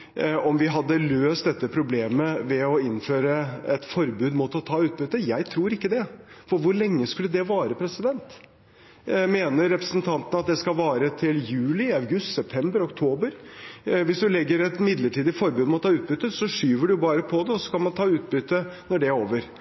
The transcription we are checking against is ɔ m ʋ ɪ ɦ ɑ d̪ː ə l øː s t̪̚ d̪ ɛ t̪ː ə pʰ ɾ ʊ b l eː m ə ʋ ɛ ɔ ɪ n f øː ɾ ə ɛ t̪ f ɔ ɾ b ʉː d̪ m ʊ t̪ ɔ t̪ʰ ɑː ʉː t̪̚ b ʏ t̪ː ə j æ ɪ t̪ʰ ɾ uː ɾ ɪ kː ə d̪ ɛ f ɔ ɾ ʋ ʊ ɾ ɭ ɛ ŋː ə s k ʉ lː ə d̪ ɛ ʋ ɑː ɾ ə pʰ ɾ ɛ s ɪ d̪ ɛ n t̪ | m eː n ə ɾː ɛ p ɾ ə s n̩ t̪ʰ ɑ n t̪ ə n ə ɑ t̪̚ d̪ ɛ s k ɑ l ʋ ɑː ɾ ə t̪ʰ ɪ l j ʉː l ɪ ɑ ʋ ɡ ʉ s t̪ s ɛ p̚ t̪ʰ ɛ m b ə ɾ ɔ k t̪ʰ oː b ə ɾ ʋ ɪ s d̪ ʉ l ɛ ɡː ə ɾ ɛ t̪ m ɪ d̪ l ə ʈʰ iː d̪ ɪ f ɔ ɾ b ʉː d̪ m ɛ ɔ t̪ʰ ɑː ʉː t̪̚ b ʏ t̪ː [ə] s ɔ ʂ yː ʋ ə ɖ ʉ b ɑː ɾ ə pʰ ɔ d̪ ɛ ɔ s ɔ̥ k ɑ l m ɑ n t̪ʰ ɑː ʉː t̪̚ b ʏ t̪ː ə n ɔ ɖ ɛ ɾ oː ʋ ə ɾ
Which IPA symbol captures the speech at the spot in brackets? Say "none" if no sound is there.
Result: ə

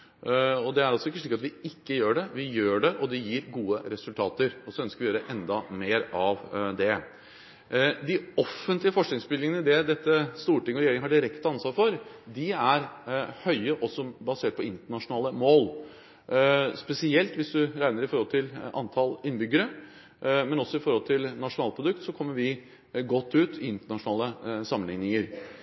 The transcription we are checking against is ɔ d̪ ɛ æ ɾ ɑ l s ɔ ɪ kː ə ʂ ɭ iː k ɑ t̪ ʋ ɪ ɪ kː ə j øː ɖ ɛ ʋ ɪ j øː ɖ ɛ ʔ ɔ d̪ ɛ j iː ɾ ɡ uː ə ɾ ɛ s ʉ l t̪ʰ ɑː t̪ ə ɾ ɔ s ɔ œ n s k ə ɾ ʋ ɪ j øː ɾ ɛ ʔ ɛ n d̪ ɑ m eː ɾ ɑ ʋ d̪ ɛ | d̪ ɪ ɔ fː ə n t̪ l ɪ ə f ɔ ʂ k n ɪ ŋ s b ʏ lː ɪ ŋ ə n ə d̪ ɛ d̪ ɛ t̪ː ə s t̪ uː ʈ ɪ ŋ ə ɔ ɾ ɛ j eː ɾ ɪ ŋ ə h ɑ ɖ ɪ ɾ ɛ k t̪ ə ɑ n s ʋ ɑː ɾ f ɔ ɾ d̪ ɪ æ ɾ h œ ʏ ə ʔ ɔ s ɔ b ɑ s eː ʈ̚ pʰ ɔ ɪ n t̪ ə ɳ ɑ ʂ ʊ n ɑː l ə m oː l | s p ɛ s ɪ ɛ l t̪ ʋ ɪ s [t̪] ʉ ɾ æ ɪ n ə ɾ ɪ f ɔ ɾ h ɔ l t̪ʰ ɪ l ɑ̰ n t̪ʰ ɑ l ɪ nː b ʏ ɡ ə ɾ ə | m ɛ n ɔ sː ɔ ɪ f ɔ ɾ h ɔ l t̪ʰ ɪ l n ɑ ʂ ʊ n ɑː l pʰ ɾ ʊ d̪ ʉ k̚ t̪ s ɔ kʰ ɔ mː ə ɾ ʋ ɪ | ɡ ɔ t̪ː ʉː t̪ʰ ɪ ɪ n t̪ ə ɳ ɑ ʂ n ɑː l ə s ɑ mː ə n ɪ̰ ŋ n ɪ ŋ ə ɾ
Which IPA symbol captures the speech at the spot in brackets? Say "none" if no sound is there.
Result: d̪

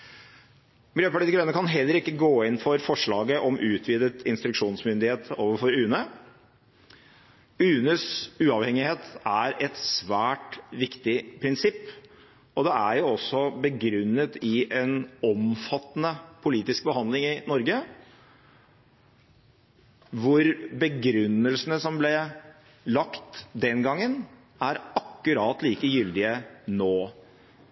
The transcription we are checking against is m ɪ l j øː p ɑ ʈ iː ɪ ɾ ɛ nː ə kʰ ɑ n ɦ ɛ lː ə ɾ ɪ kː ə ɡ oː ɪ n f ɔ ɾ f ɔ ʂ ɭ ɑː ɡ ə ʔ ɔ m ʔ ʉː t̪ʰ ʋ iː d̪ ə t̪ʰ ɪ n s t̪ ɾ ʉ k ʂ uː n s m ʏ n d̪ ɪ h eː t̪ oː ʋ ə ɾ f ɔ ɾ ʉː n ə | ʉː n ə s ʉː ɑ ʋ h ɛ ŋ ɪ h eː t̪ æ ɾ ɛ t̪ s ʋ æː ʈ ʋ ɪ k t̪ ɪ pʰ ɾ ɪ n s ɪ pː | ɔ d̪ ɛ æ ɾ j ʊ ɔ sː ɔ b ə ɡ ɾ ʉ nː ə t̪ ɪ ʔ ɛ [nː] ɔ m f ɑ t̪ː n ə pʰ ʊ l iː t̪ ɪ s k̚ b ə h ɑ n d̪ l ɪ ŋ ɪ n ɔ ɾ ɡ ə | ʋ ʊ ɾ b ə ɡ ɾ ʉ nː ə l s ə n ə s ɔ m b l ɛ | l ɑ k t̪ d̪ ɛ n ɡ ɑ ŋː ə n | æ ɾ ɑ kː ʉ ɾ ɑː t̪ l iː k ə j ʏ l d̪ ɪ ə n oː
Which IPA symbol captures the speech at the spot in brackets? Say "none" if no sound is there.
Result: n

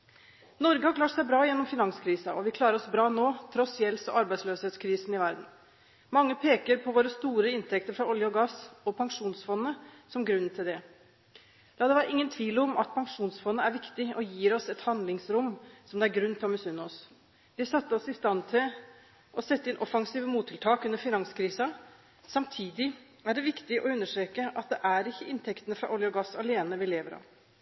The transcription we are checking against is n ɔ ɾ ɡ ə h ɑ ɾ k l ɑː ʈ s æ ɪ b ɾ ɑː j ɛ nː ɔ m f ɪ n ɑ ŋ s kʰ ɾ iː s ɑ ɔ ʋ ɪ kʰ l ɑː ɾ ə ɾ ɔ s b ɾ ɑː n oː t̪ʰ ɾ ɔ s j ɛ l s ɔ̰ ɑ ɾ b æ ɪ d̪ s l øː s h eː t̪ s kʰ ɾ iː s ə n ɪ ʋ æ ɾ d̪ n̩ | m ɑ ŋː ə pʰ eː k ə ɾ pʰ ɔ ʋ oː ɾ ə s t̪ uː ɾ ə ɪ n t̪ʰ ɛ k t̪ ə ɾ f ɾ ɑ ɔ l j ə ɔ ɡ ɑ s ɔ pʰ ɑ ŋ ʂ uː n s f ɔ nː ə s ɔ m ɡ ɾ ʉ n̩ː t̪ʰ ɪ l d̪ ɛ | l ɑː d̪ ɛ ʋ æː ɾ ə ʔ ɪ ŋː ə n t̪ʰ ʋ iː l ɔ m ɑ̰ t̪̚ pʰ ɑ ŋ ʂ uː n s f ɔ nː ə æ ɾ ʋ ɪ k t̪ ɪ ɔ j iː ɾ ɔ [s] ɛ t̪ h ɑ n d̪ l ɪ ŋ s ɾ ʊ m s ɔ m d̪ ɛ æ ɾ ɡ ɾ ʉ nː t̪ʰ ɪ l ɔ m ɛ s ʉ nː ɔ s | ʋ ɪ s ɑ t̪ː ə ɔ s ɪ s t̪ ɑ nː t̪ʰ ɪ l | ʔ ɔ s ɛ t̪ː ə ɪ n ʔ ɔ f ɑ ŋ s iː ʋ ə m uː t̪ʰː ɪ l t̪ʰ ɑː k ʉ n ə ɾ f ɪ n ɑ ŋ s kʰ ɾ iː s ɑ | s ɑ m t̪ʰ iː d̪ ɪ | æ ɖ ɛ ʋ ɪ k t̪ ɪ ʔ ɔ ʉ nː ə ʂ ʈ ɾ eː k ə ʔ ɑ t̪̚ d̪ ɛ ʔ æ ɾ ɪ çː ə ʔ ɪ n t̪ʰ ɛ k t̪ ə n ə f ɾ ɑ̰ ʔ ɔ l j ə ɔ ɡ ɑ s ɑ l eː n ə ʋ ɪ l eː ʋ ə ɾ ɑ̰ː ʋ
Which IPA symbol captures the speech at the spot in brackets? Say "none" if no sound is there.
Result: s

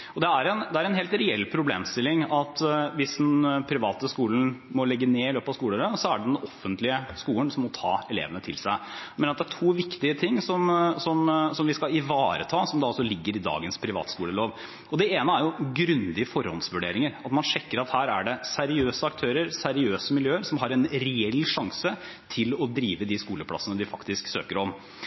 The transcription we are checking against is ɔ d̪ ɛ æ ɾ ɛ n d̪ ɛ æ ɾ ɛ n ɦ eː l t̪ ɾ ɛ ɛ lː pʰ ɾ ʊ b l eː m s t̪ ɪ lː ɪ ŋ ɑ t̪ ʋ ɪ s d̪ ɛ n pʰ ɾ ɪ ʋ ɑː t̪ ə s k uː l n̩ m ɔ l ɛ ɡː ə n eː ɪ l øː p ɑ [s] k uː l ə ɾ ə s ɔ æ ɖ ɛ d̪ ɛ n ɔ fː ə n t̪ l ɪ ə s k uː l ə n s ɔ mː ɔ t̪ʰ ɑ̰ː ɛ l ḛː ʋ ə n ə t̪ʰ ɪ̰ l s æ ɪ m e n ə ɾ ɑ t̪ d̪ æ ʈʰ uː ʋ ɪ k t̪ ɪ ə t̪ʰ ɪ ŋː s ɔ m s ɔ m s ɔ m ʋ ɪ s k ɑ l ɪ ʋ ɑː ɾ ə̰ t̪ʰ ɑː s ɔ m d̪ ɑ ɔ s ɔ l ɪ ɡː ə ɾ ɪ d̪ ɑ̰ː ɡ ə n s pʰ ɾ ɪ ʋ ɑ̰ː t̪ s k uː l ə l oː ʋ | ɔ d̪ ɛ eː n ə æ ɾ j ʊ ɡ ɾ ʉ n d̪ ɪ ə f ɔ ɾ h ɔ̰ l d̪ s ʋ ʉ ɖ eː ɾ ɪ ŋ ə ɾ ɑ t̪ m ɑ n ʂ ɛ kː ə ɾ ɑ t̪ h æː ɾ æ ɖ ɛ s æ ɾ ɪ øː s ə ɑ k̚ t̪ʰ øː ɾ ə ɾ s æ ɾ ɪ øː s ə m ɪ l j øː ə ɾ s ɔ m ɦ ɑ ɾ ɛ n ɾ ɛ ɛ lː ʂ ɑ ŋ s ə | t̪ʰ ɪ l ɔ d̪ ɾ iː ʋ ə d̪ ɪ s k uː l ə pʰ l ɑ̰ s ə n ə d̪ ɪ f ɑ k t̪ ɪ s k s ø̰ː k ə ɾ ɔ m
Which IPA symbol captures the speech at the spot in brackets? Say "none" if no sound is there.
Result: s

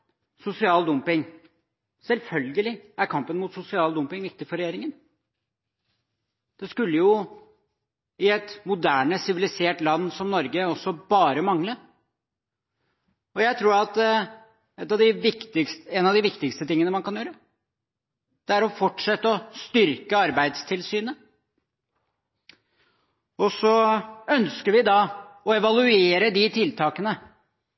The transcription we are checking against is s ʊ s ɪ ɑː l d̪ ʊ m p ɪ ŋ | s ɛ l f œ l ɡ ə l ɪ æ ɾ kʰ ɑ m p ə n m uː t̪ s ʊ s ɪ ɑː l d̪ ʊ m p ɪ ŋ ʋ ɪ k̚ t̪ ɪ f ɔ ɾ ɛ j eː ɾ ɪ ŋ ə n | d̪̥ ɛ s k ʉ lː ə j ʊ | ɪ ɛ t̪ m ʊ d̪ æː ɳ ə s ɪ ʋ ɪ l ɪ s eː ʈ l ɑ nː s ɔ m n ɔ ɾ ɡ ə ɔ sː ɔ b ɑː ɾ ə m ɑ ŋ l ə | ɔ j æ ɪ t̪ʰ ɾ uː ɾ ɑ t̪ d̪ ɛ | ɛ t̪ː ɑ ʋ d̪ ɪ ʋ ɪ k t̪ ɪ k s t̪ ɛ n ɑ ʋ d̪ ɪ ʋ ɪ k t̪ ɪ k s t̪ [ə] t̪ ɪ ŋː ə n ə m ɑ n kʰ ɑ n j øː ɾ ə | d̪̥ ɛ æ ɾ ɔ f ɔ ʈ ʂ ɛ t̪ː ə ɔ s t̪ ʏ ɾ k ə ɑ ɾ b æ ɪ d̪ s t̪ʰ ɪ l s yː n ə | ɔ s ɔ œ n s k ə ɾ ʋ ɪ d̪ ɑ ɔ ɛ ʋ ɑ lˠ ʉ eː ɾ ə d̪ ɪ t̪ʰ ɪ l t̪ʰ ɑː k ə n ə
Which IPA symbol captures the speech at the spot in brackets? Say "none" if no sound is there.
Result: ə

